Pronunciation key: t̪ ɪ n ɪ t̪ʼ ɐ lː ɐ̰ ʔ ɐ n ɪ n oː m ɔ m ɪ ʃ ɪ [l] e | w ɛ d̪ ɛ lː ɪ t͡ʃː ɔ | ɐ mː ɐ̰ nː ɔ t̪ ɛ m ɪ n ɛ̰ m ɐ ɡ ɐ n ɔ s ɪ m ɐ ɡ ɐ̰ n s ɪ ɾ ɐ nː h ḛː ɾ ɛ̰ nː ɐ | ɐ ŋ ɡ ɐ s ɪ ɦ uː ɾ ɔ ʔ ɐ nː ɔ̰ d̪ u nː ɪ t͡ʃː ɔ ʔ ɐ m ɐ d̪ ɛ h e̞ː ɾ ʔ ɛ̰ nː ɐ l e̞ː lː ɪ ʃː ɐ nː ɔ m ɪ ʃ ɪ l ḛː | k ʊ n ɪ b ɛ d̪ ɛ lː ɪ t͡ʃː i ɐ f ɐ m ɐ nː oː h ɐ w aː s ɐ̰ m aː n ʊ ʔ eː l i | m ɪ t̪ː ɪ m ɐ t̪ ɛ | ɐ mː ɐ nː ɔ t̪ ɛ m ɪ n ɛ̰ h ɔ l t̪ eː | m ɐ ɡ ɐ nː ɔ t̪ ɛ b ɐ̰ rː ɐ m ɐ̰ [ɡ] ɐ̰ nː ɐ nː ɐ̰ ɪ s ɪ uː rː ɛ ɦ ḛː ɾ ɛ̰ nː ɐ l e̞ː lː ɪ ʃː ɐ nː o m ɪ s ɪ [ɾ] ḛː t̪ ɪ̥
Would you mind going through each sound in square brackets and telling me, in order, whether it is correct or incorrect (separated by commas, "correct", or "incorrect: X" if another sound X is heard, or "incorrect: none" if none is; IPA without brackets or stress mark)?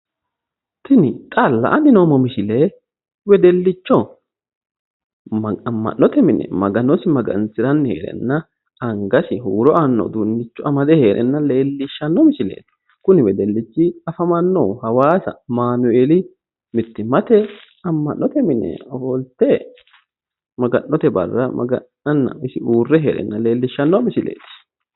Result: correct, correct, incorrect: l